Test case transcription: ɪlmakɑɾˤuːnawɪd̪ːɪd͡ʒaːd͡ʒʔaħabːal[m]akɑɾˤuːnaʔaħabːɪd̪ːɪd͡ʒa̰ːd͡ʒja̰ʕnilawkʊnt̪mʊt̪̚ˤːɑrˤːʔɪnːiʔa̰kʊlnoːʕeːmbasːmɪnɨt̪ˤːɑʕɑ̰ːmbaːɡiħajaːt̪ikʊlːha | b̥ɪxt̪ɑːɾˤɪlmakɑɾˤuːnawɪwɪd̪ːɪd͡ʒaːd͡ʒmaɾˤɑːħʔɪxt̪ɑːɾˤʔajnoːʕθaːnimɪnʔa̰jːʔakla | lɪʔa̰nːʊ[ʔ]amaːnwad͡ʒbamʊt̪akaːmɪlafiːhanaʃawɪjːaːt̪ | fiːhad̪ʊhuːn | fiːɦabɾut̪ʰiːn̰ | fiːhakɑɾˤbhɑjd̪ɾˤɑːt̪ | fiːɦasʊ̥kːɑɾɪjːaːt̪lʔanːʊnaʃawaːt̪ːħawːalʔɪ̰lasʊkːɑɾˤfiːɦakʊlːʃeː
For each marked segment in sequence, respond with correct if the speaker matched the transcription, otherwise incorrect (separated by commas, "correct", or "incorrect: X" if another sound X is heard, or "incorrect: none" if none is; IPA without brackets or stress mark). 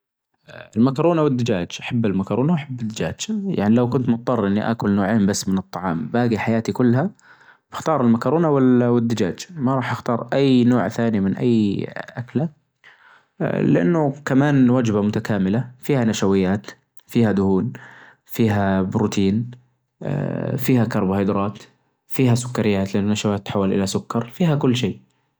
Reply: correct, incorrect: k